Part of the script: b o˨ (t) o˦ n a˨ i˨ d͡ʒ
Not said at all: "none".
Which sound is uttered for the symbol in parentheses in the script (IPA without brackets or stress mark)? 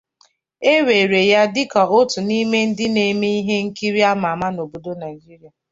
d